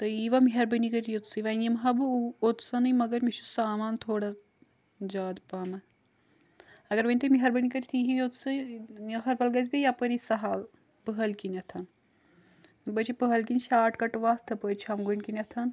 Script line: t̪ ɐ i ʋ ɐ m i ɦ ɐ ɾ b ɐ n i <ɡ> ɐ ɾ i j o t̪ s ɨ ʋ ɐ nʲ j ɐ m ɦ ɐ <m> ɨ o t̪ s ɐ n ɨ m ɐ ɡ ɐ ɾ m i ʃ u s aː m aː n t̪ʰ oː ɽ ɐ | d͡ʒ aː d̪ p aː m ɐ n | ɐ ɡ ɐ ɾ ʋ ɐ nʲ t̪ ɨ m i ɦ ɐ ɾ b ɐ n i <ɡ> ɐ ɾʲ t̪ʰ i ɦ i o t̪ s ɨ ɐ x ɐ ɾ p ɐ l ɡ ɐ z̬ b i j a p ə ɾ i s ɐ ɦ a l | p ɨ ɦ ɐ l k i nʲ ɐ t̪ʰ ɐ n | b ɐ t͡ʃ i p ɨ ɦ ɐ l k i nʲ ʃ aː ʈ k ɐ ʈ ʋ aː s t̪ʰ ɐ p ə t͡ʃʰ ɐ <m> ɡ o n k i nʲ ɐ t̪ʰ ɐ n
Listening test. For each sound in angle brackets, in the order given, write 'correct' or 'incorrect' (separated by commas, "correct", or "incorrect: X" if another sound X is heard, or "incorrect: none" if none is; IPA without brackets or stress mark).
incorrect: k, incorrect: b, incorrect: k, correct